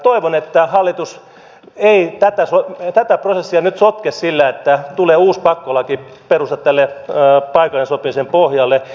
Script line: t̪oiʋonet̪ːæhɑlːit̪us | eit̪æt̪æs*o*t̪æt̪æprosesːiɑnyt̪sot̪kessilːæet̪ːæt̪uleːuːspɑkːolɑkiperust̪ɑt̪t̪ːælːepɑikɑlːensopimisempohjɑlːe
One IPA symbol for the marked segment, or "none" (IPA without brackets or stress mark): o